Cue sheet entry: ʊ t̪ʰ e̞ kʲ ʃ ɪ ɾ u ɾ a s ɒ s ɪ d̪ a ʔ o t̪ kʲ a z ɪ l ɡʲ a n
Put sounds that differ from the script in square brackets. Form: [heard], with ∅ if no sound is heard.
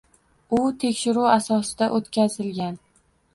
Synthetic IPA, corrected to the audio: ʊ t̪ʰ e̞ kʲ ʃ ɪ ɾ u [∅] a s ɒ s ɪ d̪ a ʔ o t̪ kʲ a z ɪ l ɡʲ a n

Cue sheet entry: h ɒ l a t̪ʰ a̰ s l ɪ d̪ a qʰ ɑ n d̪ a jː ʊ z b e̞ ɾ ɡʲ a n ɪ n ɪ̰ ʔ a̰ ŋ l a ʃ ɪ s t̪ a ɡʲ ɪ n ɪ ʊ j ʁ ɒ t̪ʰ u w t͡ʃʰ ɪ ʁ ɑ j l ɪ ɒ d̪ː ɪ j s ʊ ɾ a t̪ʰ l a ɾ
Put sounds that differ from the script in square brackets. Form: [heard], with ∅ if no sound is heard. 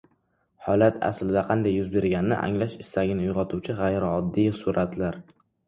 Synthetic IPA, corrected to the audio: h ɒ l a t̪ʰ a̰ s l ɪ d̪ a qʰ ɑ n d̪ a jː ʊ z b e̞ ɾ ɡʲ a n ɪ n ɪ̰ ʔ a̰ ŋ l a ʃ ɪ s t̪ a ɡʲ ɪ n ɪ ʊ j ʁ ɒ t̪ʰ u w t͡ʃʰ ɪ ʁ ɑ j [ɾ] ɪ ɒ d̪ː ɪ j s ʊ ɾ a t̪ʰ l a ɾ

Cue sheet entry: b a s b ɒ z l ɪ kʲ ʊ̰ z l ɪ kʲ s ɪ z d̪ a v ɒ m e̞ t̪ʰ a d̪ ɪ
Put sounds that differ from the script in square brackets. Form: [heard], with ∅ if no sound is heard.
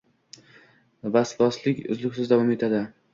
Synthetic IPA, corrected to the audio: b a s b ɒ [s] l ɪ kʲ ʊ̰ z l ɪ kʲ s ɪ z d̪ a v ɒ m e̞ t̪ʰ a d̪ ɪ

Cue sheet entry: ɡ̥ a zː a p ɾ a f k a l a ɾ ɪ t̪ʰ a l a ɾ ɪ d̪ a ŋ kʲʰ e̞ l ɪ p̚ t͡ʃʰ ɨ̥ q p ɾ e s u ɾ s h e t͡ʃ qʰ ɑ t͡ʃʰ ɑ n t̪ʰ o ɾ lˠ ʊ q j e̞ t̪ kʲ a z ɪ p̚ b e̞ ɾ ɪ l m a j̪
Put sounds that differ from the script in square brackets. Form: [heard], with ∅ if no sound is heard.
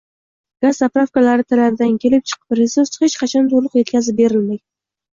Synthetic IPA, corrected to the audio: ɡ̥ a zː a p ɾ a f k a l a ɾ ɪ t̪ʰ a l a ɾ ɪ d̪ a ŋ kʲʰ e̞ l ɪ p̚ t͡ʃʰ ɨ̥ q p ɾ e s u ɾ s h e t͡ʃ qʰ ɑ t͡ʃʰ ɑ n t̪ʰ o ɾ lˠ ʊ q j e̞ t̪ kʲ a z ɪ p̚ b e̞ ɾ ɪ l m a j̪

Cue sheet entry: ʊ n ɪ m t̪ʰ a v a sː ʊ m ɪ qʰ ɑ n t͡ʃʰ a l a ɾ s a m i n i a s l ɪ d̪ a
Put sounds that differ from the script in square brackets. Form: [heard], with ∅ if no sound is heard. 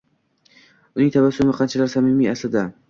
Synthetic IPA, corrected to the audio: ʊ n ɪ [ŋ] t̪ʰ a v a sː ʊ m ɪ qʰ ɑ n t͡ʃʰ a l a ɾ s a m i [m] i a s l ɪ d̪ a

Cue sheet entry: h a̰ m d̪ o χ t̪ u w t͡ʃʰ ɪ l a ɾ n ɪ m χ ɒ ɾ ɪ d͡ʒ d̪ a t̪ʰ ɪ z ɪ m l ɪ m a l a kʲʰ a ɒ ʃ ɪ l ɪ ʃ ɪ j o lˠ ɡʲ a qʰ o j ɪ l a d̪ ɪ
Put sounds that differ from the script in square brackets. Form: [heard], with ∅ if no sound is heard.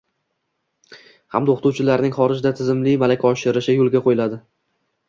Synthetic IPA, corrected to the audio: h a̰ m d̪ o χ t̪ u w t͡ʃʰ ɪ l a ɾ n ɪ [ŋ] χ ɒ ɾ ɪ d͡ʒ d̪ a t̪ʰ ɪ z ɪ m l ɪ m a l a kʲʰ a ɒ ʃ ɪ [ɾ] ɪ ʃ ɪ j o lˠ ɡʲ a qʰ o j ɪ l a d̪ ɪ

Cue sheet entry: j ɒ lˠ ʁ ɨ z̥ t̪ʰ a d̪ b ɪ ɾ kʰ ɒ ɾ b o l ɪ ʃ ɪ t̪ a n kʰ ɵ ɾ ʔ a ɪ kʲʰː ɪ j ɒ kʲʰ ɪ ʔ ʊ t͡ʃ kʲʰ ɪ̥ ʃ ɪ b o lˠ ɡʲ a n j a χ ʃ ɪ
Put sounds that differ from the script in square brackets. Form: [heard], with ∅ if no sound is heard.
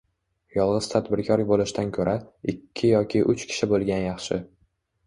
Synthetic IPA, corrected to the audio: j ɒ lˠ ʁ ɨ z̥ t̪ʰ a d̪ b ɪ ɾ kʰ ɒ ɾ b o l ɪ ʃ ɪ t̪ a n kʰ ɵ ɾ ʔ a ɪ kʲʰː ɪ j ɒ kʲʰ ɪ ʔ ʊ t͡ʃ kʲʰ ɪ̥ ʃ ɪ b o lˠ ɡʲ a n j [ɑ] χ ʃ ɪ

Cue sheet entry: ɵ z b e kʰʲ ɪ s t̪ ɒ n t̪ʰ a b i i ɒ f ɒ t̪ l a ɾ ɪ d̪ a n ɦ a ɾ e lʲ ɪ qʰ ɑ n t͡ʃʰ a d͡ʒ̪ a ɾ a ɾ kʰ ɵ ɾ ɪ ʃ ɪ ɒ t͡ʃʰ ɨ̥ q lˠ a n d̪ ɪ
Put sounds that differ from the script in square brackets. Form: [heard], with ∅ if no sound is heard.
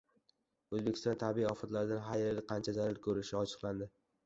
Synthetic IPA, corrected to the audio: ɵ z b e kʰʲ ɪ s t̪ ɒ n t̪ʰ a b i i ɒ f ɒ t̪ l a ɾ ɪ d̪ a n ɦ a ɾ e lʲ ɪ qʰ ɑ n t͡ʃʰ a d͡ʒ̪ a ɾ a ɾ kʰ ɵ ɾ ɪ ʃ ɪ ɒ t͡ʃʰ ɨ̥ q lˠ a n d̪ ɪ

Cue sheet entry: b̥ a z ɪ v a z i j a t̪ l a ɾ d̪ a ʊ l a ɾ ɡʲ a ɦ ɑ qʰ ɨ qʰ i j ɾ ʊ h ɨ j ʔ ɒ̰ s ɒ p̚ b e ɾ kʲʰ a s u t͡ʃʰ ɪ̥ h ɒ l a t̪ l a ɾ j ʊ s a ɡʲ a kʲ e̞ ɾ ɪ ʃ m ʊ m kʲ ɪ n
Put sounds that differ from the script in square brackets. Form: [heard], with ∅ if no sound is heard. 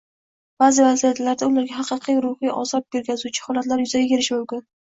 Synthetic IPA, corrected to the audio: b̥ a z ɪ v a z i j a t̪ l a ɾ d̪ a ʊ l a ɾ ɡʲ a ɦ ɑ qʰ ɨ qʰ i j ɾ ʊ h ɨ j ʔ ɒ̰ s ɒ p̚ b e ɾ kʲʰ a [z] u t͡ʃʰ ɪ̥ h ɒ l a t̪ l a ɾ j ʊ [z] a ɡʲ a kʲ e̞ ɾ ɪ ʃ m ʊ m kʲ ɪ n

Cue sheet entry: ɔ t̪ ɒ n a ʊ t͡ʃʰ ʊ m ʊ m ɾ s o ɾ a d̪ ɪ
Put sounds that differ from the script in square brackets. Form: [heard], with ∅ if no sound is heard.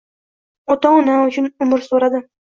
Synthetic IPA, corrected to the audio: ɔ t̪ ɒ n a ʊ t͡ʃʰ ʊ [n] ʊ m ɾ s o ɾ a d̪ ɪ

